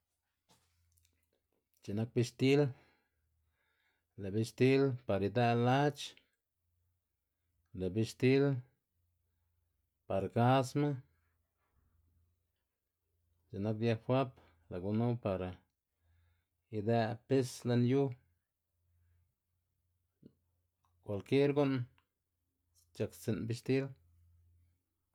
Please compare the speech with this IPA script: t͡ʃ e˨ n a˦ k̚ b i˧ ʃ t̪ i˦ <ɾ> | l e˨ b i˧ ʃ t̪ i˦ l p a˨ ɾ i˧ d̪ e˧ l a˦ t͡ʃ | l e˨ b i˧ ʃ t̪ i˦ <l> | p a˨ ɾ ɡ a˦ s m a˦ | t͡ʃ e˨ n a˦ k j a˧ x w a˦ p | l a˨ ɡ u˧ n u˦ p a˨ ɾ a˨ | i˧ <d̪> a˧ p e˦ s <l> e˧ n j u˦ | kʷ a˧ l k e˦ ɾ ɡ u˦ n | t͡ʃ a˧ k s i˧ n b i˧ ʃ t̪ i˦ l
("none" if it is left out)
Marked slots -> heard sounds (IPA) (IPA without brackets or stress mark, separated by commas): l, l, d̪, l